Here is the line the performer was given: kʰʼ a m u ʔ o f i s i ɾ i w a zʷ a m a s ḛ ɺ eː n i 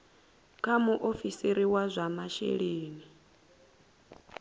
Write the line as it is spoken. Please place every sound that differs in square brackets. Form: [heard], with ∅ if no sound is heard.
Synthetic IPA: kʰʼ a m u ʔ o f i s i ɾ i w a zʷ a m a [ʃ] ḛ ɺ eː n i